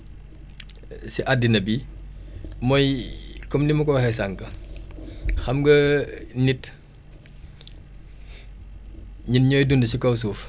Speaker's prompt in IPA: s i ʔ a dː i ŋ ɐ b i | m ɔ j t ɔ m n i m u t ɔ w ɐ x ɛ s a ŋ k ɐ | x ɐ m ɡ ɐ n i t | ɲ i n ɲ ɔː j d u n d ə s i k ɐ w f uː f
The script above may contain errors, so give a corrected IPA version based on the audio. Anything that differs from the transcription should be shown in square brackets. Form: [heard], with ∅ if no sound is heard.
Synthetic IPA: s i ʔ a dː i [n] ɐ b i | m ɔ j [k] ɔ m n i m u [k] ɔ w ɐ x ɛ s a ŋ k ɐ | x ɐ m ɡ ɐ n i t | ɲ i n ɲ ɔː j d u n d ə s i k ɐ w [s] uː f